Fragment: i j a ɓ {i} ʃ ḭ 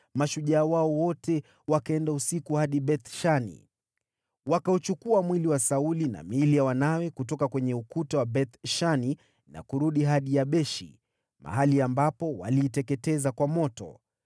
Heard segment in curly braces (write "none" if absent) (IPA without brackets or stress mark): ɛ